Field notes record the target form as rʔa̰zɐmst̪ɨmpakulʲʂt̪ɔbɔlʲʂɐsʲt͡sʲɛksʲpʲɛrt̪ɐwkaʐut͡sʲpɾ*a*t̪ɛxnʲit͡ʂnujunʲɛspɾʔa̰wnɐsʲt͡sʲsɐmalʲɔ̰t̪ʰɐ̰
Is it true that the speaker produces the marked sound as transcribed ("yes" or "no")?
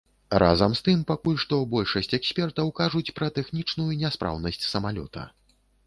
no